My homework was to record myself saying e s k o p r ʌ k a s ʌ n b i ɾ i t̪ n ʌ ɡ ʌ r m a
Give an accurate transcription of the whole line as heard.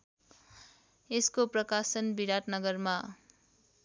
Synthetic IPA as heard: e s k o p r ʌ k a s ʌ n b i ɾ a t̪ n ʌ ɡ ʌ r m a